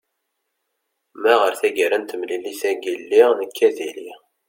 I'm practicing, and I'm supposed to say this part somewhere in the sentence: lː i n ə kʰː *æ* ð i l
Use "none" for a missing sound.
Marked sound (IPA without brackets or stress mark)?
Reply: æ